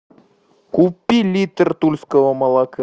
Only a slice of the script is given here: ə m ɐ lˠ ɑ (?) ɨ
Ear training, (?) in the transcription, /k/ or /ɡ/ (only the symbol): k